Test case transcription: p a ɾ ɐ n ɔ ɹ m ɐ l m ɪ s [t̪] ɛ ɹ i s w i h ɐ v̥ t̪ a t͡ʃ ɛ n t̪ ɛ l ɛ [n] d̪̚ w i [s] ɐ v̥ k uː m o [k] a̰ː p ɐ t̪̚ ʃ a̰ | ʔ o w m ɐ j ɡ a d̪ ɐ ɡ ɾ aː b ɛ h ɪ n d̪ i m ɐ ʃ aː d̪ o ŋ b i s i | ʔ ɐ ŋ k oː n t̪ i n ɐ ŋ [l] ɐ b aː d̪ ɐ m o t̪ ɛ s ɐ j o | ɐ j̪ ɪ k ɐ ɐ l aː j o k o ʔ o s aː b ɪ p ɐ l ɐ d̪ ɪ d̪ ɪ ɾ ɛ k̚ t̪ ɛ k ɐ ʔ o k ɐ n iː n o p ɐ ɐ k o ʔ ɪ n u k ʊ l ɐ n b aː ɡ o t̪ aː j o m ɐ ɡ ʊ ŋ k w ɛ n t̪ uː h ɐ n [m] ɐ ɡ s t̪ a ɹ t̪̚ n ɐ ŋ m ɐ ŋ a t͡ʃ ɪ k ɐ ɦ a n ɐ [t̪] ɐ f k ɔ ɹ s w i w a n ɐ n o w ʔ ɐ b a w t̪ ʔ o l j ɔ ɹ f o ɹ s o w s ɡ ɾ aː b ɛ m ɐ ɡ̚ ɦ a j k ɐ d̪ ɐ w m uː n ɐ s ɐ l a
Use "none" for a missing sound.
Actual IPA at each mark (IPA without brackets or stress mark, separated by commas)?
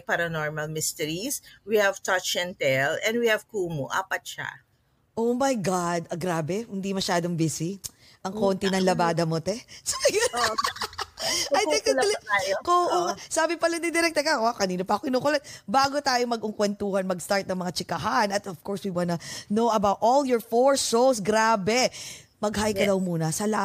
t̪, n, h, ʔ, l, m, t̪